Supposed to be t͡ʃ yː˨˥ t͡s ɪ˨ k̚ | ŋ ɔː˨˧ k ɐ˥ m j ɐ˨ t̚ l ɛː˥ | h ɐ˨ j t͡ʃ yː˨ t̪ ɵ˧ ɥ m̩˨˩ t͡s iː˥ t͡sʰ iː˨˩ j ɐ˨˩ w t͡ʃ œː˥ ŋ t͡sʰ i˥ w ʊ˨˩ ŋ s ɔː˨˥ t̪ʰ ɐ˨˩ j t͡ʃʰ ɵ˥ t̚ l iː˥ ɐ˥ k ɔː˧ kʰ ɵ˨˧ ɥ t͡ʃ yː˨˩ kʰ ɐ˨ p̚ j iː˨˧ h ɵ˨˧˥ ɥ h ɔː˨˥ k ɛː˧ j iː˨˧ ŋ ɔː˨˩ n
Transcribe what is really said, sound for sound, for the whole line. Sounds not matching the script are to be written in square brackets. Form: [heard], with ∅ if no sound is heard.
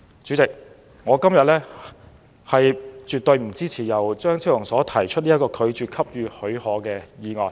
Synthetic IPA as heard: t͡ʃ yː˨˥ t͡s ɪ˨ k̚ | ŋ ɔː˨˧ k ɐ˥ m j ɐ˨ t̚ l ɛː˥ | h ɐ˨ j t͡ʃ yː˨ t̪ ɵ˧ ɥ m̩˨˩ t͡s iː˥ t͡sʰ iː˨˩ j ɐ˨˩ w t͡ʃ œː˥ ŋ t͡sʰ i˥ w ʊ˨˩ ŋ s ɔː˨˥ t̪ʰ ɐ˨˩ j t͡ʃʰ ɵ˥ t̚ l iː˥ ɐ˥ k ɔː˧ kʰ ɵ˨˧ ɥ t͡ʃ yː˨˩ kʰ [ɐ˥] p̚ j [yː˨˧] h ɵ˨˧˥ ɥ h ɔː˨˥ k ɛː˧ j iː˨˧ ŋ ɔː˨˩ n